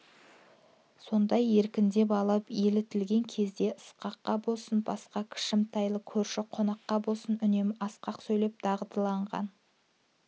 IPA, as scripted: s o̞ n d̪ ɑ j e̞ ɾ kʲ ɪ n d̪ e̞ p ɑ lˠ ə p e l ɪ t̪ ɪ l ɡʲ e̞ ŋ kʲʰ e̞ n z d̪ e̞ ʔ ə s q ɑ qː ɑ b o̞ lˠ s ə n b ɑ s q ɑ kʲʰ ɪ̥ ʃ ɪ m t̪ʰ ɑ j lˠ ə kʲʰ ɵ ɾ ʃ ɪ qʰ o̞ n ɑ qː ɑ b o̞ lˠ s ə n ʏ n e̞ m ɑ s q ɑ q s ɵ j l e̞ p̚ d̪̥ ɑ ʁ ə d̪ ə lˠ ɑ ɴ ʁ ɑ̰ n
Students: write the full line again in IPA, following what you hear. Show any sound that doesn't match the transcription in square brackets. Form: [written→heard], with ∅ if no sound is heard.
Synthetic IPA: s o̞ n d̪ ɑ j e̞ ɾ kʲ ɪ n d̪ e̞ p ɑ lˠ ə p e l ɪ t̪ ɪ l ɡʲ e̞ ŋ kʲʰ e̞ [n→∅] z d̪ e̞ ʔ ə s q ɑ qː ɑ b o̞ lˠ s ə n b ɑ s q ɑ kʲʰ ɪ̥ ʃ ɪ m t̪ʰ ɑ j lˠ ə kʲʰ ɵ ɾ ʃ ɪ qʰ o̞ n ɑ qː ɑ b o̞ lˠ s ə n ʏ n e̞ m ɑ s q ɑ q s ɵ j l e̞ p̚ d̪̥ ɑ ʁ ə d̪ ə lˠ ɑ ɴ ʁ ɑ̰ n

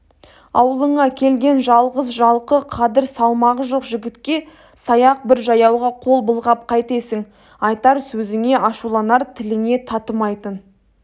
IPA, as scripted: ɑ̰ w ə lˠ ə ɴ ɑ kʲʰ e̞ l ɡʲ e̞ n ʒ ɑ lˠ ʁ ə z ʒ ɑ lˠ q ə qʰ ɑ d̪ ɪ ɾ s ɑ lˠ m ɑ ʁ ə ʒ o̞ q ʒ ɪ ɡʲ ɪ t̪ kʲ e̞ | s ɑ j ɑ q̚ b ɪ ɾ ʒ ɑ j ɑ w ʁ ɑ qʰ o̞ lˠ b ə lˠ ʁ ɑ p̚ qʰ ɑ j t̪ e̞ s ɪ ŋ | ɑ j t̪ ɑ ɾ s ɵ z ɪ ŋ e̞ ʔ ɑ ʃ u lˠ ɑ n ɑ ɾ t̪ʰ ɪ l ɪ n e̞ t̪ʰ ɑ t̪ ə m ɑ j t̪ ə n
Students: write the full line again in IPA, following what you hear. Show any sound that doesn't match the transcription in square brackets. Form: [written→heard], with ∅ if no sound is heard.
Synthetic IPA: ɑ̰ w ə lˠ ə ɴ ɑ kʲʰ e̞ l ɡʲ e̞ n ʒ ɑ lˠ ʁ ə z ʒ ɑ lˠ q ə qʰ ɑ d̪ ɪ ɾ s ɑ lˠ m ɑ ʁ ə ʒ o̞ q ʒ ɪ ɡʲ ɪ t̪ kʲ e̞ | s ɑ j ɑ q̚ b ɪ ɾ ʒ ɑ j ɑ w ʁ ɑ qʰ o̞ lˠ b ə lˠ ʁ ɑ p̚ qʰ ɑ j t̪ e̞ s ɪ ŋ | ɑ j t̪ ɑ ɾ s ɵ z ɪ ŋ e̞ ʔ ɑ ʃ u lˠ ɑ n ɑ ɾ t̪ʰ ɪ l ɪ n e̞ t̪ʰ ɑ t̪ ə m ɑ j t̪ ə n

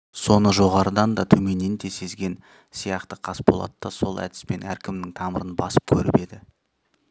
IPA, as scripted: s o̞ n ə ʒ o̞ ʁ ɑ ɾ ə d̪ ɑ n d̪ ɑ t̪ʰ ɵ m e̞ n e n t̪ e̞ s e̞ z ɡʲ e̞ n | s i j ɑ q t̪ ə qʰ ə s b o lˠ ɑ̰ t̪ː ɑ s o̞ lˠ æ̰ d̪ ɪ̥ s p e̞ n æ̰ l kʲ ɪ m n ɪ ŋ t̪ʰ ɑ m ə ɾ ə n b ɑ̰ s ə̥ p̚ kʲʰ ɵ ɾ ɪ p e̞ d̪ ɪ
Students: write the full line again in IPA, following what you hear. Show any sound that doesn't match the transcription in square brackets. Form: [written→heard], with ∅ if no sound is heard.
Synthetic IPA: s o̞ n ə ʒ o̞ ʁ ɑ ɾ ə d̪ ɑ n d̪ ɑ t̪ʰ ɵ m e̞ n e n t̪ e̞ s e̞ z ɡʲ e̞ n | s i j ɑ q t̪ ə qʰ [ə→ɑ] s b o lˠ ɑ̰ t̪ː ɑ s o̞ lˠ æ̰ d̪ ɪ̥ s p e̞ n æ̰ [l→ɾ] kʲ ɪ m n ɪ ŋ t̪ʰ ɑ m ə ɾ ə n b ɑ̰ s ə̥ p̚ kʲʰ ɵ ɾ ɪ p e̞ d̪ ɪ

